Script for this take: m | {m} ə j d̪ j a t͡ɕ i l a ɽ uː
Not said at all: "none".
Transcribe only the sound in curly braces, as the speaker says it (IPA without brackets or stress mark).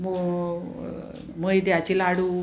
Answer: m